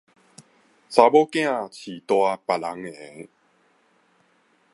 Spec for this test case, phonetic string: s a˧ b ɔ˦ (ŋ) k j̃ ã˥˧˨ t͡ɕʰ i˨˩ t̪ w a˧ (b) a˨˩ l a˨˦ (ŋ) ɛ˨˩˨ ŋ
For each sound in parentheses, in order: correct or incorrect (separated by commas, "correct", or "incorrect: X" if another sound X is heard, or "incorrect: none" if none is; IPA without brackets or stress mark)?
incorrect: none, incorrect: p, correct